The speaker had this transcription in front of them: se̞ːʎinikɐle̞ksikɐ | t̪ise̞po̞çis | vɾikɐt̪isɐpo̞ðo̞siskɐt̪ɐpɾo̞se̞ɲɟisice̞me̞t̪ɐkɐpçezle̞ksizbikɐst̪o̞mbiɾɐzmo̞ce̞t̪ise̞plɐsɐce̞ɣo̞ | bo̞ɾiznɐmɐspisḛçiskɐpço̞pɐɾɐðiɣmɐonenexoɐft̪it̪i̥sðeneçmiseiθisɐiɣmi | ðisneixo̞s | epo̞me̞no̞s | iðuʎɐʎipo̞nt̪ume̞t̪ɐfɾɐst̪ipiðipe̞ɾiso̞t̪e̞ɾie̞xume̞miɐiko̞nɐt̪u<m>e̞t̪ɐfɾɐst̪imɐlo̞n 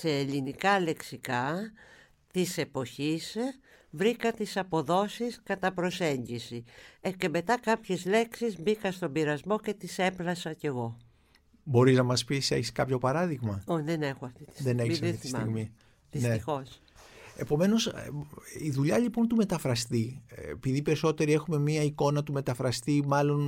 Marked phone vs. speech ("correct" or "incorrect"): correct